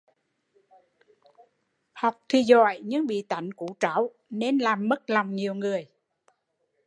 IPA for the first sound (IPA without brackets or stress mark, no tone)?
h